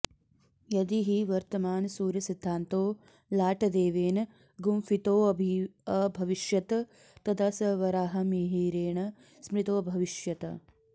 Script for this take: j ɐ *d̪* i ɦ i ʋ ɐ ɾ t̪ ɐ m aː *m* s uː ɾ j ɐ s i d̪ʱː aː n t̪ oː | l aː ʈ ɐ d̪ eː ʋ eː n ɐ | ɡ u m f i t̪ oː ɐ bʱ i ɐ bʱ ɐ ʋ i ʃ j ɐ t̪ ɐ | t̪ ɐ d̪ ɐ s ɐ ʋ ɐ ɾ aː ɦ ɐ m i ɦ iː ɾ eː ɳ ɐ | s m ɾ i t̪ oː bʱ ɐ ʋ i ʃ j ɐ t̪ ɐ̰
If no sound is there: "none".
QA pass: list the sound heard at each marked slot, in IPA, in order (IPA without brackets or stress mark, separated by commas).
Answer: d̪, n